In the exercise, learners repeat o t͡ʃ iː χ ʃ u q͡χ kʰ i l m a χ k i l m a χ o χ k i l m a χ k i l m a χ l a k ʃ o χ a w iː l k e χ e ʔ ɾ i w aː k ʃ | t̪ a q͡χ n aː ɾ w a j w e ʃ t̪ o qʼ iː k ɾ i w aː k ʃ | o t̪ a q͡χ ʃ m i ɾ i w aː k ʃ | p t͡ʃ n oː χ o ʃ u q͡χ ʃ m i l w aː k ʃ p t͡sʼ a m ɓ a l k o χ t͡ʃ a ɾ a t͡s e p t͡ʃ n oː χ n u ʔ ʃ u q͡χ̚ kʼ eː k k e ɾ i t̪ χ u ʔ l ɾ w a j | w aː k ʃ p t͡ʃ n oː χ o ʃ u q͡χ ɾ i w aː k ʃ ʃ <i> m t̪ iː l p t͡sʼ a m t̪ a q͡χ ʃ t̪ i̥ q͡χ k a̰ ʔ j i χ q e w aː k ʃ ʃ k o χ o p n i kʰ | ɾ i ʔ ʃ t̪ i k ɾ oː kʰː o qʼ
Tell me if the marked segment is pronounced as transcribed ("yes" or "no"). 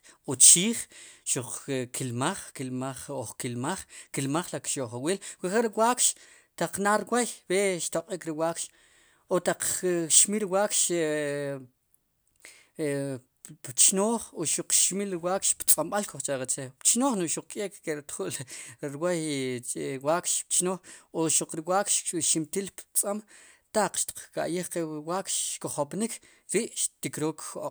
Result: yes